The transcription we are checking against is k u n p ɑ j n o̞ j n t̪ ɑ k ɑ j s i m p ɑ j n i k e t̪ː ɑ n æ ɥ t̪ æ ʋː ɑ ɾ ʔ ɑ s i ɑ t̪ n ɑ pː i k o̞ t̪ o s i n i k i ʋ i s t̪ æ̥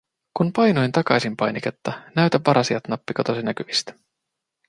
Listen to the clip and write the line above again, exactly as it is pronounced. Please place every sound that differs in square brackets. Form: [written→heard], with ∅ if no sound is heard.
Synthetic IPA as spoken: k u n p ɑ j n o̞ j n t̪ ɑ k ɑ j s i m p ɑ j n i k e t̪ː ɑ n æ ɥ t̪ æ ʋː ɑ ɾ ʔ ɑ s i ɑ t̪ n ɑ pː i k o̞ t̪ o s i n [i→æ] k [i→y] ʋ i s t̪ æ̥

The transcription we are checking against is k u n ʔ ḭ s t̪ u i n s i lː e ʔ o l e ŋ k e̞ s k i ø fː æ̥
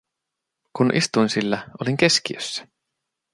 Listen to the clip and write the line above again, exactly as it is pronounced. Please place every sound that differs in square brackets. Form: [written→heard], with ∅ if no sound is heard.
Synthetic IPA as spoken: k u n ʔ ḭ s t̪ u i n s i lː [e→æ] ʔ o l [e→i] ŋ k e̞ s k i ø [fː→sː] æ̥

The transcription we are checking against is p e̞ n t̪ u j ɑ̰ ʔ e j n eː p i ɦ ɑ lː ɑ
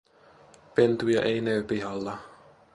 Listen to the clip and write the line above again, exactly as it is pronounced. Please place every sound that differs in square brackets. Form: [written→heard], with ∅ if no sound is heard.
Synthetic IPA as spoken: p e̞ n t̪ u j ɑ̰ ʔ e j n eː p i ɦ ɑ lː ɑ

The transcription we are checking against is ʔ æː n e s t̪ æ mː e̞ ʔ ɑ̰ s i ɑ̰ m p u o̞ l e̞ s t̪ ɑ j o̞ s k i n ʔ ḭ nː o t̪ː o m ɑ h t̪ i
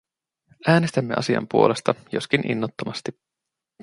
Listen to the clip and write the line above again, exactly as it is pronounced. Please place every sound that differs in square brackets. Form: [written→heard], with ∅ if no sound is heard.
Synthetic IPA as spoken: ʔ æː n e s t̪ æ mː e̞ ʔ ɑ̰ s i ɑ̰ m p u o̞ l e̞ s t̪ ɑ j o̞ s k i n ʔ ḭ nː o t̪ː o m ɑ [h→s] t̪ i

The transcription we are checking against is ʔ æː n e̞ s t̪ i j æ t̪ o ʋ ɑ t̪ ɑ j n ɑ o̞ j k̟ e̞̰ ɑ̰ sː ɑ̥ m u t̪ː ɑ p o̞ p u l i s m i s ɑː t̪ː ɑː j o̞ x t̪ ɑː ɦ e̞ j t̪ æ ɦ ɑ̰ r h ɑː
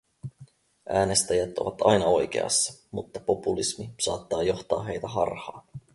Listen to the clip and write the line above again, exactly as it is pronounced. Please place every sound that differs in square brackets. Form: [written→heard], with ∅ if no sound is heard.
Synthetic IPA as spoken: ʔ æː n e̞ s t̪ [i→æ] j æ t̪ o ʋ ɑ t̪ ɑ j n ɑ o̞ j k̟ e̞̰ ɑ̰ sː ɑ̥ m u t̪ː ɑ p o̞ p u l i s m i s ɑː t̪ː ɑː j o̞ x t̪ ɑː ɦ e̞ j t̪ æ ɦ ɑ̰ r h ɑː

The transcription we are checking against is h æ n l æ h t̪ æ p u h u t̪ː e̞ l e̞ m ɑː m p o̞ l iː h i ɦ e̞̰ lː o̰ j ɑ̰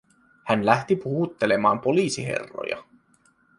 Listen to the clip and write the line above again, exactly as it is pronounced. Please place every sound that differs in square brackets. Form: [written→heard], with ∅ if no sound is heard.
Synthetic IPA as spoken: h æ n l æ h t̪ [æ→i] p u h u t̪ː e̞ l e̞ m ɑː m p o̞ l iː [h→s] i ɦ e̞̰ [lː→rː] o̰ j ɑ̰

